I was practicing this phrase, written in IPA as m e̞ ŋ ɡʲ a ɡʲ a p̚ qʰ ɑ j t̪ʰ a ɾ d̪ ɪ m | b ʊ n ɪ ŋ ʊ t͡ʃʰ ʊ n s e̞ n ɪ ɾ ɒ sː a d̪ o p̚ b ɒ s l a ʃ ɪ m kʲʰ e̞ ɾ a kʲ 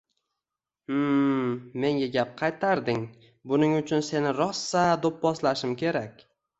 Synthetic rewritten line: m e̞ ŋ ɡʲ a ɡʲ a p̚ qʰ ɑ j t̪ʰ a ɾ d̪ ɪ ŋ | b ʊ n ɪ ŋ ʊ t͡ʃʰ ʊ n s e̞ n ɪ ɾ ɒ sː a d̪ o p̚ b ɒ s l a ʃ ɪ m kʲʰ e̞ ɾ a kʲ